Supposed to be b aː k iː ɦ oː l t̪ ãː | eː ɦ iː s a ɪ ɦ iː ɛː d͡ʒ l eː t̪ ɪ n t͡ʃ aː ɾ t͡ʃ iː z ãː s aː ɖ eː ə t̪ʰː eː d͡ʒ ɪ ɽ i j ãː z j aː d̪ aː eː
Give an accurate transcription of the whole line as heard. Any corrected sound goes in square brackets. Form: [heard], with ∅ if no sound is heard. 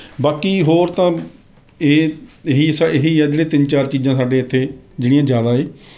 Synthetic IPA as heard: b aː k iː ɦ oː [ɾ] t̪ ãː | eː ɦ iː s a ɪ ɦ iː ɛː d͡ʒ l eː t̪ ɪ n t͡ʃ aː ɾ t͡ʃ iː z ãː s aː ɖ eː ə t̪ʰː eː d͡ʒ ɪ ɽ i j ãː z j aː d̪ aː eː